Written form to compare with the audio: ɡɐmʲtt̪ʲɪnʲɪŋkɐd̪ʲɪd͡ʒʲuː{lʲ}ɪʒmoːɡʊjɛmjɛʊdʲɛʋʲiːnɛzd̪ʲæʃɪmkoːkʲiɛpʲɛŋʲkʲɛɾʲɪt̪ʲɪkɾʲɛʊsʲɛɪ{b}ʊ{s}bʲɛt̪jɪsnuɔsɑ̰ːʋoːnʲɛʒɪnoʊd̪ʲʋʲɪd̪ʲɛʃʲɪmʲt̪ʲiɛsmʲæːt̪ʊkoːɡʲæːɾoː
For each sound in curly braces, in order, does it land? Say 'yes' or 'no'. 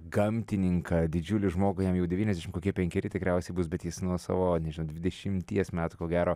yes, yes, yes

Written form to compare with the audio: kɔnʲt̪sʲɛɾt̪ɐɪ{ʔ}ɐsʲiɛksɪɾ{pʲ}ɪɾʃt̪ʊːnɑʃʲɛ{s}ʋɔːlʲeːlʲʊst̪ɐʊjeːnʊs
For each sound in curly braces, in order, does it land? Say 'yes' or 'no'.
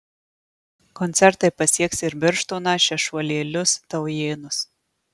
no, no, no

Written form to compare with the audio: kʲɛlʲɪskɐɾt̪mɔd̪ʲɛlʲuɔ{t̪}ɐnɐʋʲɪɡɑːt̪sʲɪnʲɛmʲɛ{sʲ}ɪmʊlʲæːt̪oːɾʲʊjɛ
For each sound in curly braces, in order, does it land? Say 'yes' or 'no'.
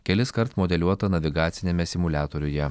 yes, yes

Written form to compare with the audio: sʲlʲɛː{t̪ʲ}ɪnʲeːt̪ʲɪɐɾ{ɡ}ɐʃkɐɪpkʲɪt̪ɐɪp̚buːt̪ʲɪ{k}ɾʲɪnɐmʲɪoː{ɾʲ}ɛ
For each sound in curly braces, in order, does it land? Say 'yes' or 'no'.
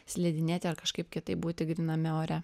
no, no, no, yes

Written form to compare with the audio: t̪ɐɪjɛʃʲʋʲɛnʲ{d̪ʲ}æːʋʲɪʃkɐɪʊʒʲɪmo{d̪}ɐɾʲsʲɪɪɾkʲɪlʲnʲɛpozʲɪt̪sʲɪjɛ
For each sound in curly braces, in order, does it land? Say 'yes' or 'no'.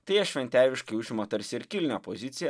no, no

